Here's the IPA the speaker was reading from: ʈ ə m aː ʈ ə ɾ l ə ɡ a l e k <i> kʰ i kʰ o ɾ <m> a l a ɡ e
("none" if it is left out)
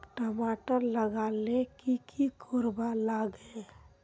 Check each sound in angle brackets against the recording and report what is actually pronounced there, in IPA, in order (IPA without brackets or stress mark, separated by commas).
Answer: i, b